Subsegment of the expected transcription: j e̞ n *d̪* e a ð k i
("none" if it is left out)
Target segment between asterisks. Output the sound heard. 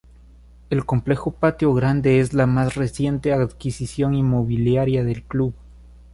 t̪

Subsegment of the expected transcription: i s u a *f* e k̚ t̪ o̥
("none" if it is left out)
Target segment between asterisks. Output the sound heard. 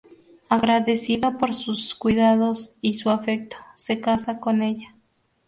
f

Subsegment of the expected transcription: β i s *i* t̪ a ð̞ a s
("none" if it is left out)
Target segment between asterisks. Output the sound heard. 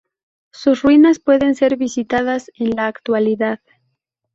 i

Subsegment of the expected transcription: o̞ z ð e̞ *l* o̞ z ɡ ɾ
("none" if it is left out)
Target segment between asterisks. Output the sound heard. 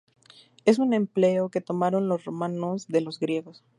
l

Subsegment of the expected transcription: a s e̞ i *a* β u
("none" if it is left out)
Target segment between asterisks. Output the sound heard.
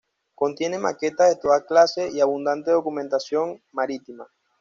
a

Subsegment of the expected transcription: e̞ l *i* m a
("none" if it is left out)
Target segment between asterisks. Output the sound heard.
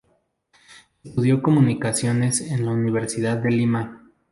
i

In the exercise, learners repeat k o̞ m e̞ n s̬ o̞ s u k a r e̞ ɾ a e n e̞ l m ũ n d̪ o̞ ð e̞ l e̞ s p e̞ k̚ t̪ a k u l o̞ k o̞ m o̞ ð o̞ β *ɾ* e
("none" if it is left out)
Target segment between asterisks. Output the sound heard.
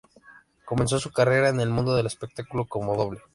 l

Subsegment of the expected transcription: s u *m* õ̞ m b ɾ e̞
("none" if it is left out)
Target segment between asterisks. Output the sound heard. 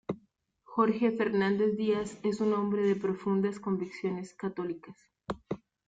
n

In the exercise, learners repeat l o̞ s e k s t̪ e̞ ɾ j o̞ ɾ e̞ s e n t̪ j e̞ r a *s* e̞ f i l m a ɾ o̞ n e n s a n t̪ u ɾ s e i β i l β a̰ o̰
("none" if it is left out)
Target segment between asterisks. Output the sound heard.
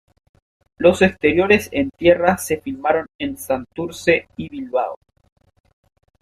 s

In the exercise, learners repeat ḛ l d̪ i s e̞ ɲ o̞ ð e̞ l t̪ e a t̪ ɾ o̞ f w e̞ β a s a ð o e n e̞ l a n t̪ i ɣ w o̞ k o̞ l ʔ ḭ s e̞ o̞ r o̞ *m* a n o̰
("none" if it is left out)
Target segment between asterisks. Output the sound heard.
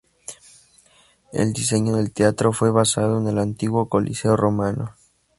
m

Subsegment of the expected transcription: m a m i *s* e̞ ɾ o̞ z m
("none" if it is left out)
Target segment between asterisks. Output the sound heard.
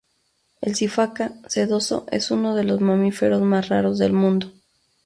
f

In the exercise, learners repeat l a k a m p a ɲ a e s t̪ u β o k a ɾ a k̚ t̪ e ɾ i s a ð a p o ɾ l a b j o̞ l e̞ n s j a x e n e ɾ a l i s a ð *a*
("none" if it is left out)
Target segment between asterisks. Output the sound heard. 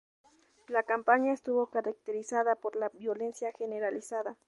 a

